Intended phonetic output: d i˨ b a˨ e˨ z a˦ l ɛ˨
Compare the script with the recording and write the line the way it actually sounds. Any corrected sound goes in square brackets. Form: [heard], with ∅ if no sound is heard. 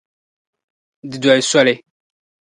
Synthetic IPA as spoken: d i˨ [d] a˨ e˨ [s] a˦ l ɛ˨